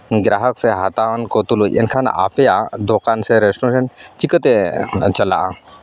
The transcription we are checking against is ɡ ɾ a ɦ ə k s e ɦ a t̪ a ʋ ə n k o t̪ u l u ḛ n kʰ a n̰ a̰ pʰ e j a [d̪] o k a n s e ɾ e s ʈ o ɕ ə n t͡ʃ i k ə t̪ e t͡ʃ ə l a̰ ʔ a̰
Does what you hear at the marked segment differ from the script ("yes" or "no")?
no